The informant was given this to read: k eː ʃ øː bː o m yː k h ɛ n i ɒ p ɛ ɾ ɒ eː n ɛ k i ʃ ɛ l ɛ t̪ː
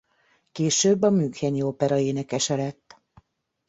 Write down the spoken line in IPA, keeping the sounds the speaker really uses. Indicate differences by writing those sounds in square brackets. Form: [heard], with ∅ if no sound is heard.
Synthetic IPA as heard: k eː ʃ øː bː [ɒ] m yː k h ɛ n i [o] p ɛ ɾ ɒ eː n ɛ k [ɛ] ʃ ɛ l ɛ t̪ː